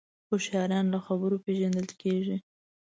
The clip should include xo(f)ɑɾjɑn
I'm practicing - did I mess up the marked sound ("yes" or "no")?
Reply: yes